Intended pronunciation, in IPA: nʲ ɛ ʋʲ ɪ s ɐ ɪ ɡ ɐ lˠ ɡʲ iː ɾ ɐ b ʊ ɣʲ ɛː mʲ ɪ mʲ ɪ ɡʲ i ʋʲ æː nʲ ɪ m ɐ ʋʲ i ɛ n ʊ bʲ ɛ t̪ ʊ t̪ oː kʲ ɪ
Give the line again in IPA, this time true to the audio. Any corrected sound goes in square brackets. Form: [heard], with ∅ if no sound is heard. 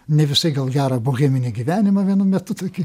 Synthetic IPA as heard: nʲ ɛ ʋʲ ɪ s ɐ ɪ ɡ ɐ lˠ ɡʲ [æː] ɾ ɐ b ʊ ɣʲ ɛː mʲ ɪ [nʲ] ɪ ɡʲ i ʋʲ æː nʲ ɪ m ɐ ʋʲ i ɛ n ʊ [mʲ] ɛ t̪ ʊ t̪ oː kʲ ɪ